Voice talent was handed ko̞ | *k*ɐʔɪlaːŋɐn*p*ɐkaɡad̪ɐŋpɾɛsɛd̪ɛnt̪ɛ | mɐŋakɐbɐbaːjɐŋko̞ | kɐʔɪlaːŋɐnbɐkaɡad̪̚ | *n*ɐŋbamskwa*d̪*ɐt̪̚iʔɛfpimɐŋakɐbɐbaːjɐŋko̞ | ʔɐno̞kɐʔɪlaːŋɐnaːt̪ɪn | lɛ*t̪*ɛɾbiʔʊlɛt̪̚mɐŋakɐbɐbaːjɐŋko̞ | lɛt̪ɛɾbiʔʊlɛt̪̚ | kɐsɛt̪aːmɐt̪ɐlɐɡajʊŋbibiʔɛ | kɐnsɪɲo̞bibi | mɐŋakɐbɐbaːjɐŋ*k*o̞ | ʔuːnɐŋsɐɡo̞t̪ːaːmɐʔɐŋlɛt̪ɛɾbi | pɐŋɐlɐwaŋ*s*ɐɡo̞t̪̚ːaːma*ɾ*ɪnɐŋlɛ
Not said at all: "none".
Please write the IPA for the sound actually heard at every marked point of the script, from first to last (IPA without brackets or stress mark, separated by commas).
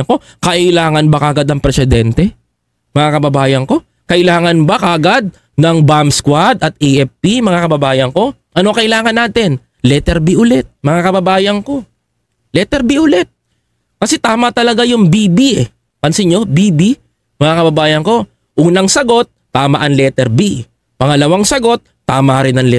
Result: k, b, n, d̪, t̪, k, s, ɾ